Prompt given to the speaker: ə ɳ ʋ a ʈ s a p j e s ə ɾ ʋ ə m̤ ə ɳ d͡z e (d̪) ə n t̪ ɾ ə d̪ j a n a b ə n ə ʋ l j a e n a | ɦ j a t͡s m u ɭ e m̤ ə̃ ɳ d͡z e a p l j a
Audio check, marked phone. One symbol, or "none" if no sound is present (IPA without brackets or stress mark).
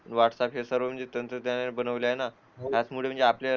t̪